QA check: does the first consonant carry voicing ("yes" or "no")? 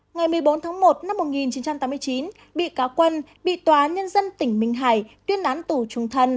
yes